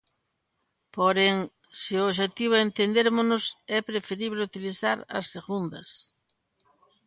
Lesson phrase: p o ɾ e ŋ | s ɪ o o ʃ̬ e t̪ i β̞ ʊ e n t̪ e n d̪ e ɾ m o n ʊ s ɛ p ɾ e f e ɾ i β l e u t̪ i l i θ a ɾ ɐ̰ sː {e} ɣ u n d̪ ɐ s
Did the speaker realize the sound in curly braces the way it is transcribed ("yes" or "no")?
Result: yes